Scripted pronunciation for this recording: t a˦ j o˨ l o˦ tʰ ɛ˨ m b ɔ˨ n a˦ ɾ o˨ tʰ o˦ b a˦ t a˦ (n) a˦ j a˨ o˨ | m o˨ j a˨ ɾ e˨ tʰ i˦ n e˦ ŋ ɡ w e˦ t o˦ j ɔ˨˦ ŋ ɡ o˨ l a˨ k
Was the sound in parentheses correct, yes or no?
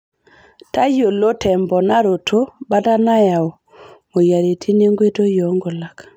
yes